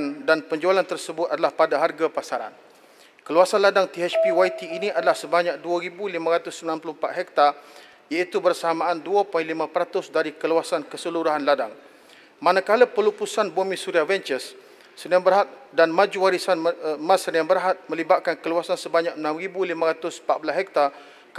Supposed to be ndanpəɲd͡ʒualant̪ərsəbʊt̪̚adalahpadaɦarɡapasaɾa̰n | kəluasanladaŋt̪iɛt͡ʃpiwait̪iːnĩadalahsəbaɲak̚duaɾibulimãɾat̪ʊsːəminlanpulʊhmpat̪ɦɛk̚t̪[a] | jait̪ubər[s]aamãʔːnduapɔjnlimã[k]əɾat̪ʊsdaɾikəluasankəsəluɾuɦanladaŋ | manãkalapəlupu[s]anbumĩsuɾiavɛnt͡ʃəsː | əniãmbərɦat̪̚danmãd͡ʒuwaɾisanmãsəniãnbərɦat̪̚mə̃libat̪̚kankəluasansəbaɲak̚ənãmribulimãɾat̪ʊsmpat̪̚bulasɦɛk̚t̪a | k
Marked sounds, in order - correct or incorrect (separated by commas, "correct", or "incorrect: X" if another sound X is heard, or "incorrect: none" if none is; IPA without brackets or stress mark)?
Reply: correct, correct, incorrect: p, correct